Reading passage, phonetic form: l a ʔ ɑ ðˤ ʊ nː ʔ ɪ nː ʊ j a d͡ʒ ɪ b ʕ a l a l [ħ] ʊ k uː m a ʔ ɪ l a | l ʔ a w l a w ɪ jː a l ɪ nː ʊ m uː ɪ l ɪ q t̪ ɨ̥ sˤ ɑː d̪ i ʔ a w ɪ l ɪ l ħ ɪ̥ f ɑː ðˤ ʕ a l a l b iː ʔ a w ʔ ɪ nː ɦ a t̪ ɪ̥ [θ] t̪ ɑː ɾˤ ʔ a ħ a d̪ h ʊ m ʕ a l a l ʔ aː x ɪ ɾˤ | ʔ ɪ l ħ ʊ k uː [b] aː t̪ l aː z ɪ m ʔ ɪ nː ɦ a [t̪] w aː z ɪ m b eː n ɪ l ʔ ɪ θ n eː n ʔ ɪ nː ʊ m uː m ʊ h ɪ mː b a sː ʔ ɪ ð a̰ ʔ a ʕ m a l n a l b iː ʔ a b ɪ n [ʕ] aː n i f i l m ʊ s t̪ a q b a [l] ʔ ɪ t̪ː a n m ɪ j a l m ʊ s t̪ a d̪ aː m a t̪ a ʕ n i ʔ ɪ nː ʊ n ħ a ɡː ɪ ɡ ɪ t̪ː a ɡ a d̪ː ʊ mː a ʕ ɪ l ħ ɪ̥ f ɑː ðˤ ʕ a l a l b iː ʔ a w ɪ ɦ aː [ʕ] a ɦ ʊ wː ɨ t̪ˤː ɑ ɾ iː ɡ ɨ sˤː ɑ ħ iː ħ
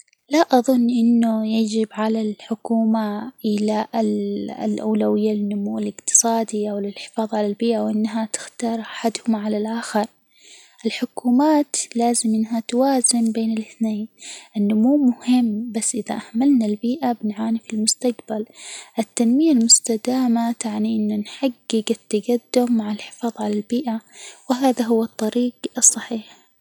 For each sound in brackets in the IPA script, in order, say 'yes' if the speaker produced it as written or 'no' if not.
yes, no, no, yes, yes, yes, no

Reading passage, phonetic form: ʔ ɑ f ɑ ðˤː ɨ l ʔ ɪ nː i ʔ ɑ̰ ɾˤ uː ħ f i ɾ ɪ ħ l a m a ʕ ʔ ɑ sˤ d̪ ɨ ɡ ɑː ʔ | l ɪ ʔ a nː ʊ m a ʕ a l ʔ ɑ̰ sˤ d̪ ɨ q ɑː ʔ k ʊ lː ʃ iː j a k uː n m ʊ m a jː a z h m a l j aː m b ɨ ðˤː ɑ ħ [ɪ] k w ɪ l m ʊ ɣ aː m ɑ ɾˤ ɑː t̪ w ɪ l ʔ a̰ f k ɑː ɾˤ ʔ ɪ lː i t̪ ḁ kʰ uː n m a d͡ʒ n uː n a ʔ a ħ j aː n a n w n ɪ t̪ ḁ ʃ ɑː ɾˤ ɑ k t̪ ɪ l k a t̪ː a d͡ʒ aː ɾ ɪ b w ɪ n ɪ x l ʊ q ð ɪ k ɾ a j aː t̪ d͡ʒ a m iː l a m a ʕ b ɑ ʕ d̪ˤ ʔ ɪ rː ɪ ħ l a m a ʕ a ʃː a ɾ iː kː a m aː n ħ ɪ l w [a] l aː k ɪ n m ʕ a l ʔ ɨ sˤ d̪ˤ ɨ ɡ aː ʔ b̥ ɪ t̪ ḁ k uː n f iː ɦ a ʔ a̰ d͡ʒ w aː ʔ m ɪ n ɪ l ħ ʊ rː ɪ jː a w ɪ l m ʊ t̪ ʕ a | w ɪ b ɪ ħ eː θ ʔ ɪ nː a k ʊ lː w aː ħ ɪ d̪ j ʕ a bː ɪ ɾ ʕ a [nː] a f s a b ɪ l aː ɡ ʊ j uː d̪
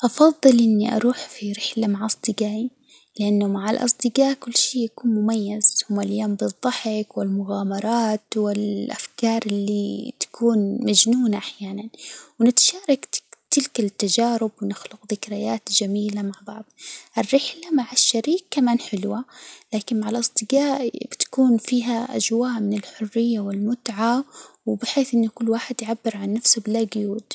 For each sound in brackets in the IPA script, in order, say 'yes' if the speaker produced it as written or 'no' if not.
yes, yes, yes

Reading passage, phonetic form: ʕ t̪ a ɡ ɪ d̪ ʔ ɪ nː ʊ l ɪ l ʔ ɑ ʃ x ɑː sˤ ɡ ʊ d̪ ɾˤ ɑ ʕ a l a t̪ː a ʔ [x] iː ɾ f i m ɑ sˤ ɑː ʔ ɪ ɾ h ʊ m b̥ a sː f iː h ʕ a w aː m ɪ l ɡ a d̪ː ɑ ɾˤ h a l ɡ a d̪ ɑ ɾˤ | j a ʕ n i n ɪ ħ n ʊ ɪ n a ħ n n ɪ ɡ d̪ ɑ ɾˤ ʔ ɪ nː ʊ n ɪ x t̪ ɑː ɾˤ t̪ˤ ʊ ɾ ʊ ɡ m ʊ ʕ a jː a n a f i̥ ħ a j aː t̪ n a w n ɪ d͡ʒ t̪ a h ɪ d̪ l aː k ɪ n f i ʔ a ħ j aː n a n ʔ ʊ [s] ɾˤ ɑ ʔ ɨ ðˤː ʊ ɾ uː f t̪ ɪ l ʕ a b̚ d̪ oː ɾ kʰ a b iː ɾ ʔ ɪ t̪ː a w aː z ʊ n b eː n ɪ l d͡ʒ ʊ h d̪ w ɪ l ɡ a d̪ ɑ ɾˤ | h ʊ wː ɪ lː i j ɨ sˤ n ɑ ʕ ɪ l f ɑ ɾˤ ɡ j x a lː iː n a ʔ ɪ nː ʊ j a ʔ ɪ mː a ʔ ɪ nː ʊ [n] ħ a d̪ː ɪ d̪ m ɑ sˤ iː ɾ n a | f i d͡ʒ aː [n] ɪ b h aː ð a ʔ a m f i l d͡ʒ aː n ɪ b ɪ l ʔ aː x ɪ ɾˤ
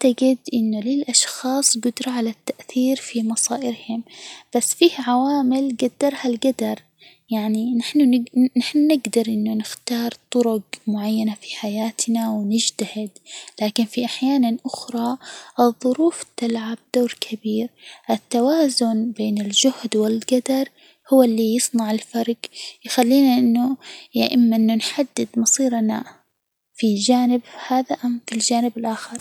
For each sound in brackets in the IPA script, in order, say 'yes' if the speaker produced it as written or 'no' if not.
no, no, yes, yes

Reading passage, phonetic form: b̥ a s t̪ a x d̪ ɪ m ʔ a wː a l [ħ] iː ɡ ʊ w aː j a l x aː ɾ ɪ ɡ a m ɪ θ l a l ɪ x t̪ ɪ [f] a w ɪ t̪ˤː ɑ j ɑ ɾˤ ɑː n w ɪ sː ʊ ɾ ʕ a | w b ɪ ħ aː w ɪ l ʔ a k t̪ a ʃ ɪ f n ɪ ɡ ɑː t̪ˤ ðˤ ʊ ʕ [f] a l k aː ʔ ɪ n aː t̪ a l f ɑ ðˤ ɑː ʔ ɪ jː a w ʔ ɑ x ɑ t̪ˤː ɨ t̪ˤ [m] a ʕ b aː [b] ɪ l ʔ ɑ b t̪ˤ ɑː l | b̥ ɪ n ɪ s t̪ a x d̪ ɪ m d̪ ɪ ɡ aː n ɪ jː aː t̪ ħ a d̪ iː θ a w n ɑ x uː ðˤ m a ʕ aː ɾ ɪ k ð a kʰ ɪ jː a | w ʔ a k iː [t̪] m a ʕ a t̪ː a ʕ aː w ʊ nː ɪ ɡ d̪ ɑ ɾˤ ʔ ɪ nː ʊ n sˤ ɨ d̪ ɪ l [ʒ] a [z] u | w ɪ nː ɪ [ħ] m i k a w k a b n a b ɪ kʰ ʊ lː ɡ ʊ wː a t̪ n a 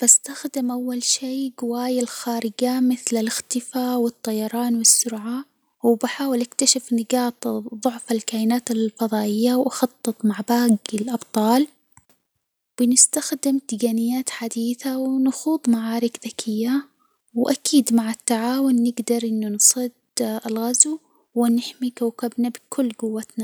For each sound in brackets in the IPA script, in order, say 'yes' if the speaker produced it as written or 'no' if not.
no, yes, yes, yes, no, no, no, yes, yes

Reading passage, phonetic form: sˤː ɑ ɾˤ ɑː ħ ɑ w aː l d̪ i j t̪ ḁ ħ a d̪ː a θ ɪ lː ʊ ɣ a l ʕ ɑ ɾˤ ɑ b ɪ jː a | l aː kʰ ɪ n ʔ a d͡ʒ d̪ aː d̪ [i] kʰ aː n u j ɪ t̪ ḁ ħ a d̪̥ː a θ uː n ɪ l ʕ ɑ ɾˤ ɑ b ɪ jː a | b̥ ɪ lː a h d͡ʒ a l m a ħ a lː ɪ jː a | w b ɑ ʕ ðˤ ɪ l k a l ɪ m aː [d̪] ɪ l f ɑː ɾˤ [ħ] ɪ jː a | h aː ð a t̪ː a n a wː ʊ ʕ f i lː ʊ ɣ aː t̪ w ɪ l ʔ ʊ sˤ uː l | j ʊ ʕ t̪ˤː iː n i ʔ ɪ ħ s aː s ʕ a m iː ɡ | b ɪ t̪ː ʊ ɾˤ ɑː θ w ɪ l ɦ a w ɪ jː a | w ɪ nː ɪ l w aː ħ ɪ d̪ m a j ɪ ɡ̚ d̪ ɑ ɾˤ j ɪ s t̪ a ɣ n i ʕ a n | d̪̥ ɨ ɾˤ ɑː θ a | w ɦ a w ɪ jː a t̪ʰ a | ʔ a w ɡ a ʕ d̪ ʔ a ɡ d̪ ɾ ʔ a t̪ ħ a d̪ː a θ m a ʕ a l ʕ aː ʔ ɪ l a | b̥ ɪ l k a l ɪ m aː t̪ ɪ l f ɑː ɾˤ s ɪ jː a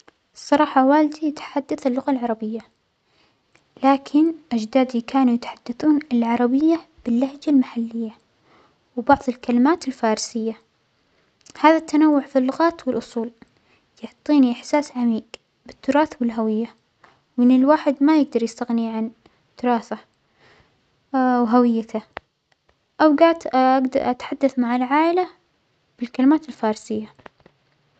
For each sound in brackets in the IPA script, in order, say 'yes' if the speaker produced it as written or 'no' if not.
yes, no, no

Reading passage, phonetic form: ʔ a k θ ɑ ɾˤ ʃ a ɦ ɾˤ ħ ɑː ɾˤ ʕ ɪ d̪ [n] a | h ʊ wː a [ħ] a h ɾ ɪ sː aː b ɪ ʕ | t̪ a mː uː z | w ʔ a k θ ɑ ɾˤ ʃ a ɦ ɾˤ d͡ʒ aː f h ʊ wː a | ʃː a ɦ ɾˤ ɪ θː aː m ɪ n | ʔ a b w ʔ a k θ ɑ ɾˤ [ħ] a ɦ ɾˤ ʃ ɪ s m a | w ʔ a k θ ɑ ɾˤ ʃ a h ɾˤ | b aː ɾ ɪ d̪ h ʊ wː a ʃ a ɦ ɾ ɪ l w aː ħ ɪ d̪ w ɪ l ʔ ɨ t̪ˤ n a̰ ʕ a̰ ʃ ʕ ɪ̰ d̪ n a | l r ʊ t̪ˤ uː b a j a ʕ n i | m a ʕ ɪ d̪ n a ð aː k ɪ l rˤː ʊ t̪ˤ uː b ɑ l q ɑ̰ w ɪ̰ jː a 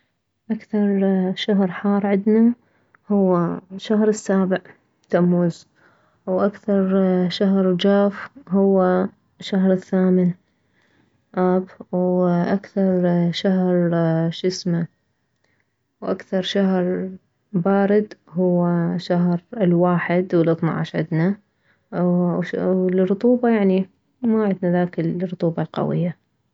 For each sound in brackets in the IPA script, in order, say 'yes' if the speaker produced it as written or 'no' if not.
yes, no, no

